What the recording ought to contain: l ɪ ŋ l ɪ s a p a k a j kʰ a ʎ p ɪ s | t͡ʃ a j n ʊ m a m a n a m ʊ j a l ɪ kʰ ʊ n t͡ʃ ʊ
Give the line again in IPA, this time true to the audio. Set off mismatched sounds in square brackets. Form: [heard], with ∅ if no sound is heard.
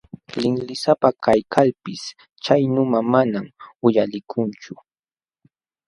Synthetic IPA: l ɪ ŋ l ɪ s a p a k a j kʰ a [l] p ɪ s | t͡ʃ a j n ʊ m a m a n a m ʊ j a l ɪ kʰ ʊ n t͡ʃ ʊ